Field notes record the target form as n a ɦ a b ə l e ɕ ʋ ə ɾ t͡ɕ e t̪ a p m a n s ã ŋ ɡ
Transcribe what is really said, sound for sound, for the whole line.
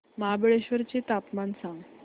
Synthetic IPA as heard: m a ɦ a b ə ɭ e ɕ ʋ ə ɾ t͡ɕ e t̪ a p m a n s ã ŋ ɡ

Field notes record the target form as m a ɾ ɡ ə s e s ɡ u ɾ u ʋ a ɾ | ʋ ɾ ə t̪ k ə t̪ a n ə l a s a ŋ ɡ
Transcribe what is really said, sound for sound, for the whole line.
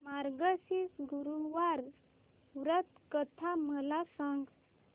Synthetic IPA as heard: m a ɾ ɡ ə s i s ɡ u ɾ u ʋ a ɾ | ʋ ɾ ə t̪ k ə t̪ʰ a m ə l a s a ŋ ɡ

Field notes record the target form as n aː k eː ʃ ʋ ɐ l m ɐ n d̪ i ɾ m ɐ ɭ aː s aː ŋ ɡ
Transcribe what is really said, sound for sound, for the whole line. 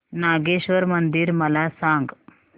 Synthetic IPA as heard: n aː ɡ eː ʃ ʋ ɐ ɾ m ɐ n d̪ i ɾ m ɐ l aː s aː ŋ ɡ

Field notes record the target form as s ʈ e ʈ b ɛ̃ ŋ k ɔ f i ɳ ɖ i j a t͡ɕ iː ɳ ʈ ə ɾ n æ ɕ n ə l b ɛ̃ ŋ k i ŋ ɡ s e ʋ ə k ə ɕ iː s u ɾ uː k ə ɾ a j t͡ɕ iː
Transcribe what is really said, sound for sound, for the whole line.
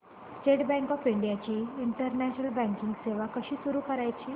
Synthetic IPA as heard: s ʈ e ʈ b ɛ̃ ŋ k ɔ f i ɳ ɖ i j a t͡ɕ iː ɳ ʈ ə ɾ n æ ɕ n ə l b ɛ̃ ŋ k i ŋ ɡ s e ʋ a k ə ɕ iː s u ɾ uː k ə ɾ a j t͡ɕ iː

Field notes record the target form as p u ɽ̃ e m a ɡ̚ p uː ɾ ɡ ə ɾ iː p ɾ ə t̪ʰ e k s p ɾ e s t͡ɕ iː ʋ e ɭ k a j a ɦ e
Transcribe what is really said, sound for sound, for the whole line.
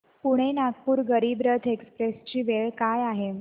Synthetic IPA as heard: p u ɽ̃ e n a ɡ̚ p uː ɾ ɡ ə ɾ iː b ɾ ə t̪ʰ e k s p ɾ e s t͡ɕ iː ʋ e ɭ k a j a ɦ e

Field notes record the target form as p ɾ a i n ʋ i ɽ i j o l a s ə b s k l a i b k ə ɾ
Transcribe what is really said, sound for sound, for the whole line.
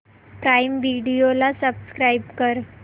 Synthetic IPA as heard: p ɾ a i m ʋ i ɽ i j o l a s ə b s k ɾ a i b k ə ɾ

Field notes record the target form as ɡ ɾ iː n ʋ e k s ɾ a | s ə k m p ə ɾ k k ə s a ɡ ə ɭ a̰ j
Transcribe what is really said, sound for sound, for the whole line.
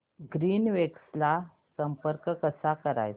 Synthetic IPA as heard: ɡ ɾ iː n ʋ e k s l a | s ə m p ə ɾ k k ə s a k ə ɾ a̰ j

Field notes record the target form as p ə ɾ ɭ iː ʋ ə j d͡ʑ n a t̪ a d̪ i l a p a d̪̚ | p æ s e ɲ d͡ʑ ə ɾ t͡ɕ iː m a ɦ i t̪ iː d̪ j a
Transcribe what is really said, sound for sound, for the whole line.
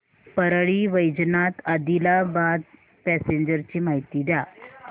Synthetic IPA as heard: p ə ɾ ɭ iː ʋ ə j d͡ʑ n a t̪ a d̪ i l a b a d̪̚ | p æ s e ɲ d͡ʑ ə ɾ t͡ɕ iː m a ɦ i t̪ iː d̪ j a

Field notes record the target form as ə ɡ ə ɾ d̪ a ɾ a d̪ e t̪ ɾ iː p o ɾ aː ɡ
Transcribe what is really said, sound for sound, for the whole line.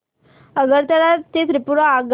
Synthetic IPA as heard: ə ɡ ə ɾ t̪ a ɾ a t̪ e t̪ ɾ i p u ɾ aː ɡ

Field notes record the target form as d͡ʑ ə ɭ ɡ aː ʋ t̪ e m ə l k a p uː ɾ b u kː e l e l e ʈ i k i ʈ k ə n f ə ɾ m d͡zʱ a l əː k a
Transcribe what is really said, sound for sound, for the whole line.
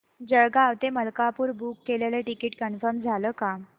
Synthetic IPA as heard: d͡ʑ ə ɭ ɡ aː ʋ t̪ e m ə l k a p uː ɾ b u kː e l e l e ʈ i k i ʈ k ə n f ə ɾ m d͡zʱ a l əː k a

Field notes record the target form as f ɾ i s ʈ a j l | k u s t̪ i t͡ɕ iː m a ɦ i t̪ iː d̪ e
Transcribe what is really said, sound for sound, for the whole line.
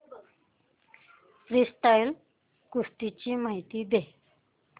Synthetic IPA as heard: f ɾ i s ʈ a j l | k u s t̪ i t͡ɕ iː m a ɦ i t̪ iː d̪ e

